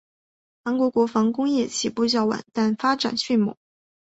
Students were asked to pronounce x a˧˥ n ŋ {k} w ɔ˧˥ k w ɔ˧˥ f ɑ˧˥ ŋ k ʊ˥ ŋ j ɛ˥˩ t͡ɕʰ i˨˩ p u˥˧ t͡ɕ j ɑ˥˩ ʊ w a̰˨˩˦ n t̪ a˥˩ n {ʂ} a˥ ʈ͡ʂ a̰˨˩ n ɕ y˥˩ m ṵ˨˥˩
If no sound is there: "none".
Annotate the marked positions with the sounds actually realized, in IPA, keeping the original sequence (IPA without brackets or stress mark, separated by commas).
k, f